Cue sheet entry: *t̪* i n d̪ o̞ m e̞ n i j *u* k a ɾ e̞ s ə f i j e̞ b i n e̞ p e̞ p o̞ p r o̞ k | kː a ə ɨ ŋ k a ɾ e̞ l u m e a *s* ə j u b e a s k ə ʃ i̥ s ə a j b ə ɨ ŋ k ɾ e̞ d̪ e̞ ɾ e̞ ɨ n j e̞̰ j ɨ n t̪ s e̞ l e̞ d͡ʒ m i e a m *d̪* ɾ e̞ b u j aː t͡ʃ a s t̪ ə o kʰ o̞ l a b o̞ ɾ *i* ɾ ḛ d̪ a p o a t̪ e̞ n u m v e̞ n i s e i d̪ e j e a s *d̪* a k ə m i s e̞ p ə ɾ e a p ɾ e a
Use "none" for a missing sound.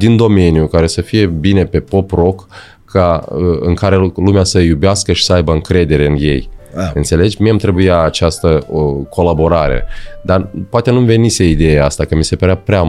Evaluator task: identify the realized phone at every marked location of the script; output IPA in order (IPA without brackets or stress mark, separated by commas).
d̪, u, s, t̪, a, t̪